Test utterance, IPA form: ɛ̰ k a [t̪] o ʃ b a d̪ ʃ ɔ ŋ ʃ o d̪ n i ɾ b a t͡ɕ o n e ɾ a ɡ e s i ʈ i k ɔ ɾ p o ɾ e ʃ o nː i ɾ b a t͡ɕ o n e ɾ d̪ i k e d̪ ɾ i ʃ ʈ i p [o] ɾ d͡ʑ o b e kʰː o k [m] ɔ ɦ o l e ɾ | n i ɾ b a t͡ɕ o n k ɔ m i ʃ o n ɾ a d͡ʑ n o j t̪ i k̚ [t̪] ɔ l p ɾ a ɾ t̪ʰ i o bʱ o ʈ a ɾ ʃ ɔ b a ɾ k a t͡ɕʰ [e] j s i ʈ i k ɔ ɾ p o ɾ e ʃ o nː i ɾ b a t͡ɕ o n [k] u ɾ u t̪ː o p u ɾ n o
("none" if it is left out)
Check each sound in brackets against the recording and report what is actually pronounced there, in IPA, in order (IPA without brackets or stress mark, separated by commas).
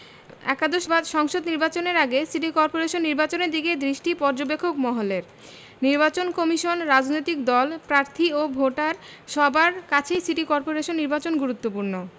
d̪, ɔ, m, d̪, e, ɡ